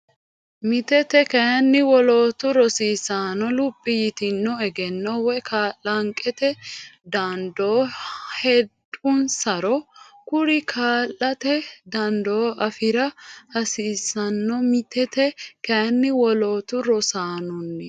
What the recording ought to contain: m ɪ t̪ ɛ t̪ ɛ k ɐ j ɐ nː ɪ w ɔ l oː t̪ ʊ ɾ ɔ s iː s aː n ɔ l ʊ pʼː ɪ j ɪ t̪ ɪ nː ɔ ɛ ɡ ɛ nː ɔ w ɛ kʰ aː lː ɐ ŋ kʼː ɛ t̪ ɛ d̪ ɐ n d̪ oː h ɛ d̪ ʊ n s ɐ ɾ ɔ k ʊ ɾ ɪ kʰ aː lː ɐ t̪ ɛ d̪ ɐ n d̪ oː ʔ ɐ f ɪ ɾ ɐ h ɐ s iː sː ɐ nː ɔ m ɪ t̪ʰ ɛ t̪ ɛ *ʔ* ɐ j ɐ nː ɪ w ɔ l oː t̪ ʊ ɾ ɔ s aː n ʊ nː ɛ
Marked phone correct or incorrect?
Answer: incorrect